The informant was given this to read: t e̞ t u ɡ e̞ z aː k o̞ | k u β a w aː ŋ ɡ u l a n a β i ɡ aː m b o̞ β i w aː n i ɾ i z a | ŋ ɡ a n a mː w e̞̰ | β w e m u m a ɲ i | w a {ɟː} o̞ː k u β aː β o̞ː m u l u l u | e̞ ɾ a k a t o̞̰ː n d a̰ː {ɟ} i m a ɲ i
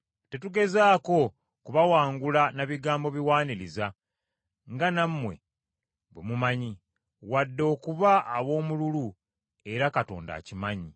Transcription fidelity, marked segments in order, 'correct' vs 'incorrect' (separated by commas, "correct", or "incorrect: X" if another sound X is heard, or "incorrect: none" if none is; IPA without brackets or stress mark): incorrect: dː, incorrect: c